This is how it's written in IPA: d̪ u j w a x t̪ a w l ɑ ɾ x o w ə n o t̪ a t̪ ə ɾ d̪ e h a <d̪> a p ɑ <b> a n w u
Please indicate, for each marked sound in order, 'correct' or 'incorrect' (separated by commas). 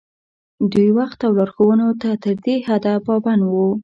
correct, correct